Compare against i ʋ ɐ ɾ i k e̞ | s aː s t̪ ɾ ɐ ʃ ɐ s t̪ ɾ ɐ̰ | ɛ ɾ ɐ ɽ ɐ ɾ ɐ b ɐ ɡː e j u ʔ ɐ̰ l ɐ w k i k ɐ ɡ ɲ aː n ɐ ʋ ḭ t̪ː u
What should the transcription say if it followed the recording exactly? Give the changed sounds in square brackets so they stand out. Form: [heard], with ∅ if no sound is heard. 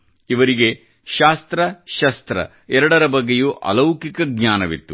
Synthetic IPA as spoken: i ʋ ɐ ɾ i [ɡ] e̞ | [ʃ] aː s t̪ ɾ ɐ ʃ ɐ s t̪ ɾ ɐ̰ | ɛ ɾ ɐ ɽ ɐ ɾ ɐ b ɐ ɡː e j u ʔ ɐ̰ l ɐ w k i k ɐ ɡ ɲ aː n ɐ ʋ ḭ t̪ː u